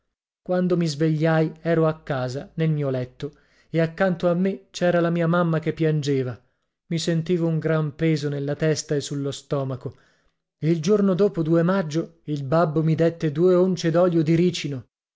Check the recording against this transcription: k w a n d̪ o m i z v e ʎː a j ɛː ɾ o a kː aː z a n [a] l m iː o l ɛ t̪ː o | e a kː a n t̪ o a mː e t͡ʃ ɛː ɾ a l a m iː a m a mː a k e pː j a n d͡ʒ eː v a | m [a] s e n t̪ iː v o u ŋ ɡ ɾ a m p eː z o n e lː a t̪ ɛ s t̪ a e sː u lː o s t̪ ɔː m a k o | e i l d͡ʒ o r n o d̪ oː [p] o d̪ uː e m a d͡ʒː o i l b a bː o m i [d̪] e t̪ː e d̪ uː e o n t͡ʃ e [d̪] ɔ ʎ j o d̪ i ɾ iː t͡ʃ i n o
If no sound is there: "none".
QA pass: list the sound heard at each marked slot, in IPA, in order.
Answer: e, i, p, d̪, d̪

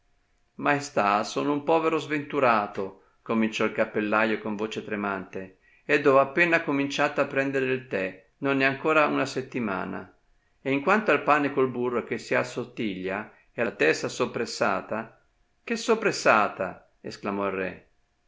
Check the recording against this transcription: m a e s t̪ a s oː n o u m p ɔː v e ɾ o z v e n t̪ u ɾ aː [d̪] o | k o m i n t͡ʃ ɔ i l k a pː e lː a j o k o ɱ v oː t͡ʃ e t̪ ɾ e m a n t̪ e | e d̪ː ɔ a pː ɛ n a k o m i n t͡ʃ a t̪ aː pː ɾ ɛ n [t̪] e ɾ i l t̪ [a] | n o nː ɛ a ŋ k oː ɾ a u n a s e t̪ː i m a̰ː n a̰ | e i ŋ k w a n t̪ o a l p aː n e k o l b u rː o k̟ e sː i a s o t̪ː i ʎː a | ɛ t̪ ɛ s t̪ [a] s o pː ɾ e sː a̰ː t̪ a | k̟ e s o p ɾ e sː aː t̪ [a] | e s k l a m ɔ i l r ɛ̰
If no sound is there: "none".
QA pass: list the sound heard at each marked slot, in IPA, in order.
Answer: t̪, d̪, ɛ, a, a

